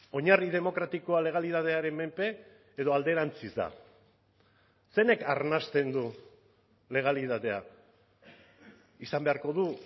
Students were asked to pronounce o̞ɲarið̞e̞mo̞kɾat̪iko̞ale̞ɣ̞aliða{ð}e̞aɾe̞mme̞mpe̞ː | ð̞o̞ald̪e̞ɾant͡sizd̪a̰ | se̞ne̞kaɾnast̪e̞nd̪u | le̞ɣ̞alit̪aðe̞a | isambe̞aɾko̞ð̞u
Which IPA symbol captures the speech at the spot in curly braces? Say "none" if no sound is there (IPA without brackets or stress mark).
ð